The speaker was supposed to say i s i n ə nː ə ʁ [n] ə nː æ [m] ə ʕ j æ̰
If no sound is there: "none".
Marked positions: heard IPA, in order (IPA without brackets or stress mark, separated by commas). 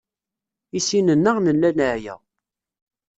n, n